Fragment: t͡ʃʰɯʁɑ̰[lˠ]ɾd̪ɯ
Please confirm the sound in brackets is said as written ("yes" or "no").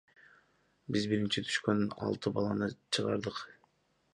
no